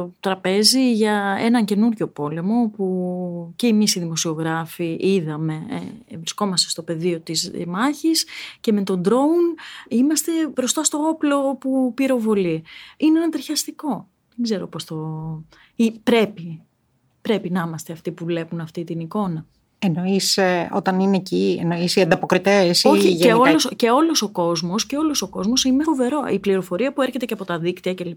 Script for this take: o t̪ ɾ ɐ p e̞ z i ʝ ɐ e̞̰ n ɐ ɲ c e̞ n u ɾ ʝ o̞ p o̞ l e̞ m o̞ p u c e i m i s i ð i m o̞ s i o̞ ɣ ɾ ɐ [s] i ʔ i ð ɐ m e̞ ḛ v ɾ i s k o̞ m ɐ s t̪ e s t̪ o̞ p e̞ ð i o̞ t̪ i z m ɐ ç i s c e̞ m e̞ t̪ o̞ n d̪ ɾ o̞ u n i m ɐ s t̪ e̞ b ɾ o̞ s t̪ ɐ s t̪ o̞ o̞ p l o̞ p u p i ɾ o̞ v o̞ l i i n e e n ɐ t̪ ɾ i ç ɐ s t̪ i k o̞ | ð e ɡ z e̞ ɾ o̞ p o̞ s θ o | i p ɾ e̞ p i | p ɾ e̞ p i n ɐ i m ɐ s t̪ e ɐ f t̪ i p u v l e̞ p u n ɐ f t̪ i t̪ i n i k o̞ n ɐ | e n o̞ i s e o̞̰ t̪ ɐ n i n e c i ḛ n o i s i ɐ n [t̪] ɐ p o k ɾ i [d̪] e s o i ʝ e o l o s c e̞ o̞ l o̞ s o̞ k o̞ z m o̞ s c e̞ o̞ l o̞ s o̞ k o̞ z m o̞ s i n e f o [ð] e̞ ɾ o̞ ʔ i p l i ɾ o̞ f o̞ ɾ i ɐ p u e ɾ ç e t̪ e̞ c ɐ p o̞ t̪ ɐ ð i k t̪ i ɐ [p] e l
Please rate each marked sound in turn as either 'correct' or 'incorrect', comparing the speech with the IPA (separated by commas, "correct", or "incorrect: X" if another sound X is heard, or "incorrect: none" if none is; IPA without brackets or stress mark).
incorrect: f, incorrect: d̪, incorrect: t̪, incorrect: v, incorrect: c